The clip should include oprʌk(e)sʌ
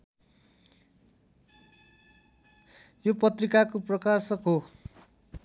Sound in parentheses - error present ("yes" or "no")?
yes